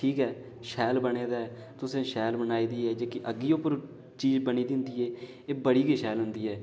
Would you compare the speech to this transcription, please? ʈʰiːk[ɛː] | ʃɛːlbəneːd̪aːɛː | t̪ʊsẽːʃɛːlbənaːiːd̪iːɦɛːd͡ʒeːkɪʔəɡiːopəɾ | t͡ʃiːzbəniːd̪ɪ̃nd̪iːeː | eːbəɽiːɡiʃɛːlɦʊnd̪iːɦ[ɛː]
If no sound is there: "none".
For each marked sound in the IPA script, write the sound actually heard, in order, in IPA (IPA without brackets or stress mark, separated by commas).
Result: ɛː, ɛː